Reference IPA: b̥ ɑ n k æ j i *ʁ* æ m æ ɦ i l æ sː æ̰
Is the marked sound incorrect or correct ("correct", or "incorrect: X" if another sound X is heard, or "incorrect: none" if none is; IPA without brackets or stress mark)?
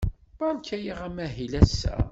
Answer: correct